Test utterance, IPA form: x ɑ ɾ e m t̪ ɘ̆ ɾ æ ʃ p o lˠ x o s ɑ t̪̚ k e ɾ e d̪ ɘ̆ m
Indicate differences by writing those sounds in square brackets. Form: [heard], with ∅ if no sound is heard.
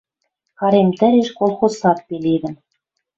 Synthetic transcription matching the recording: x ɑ ɾ e m t̪ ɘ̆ ɾ [e] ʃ [k] o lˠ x o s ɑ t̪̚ [p] e [l] e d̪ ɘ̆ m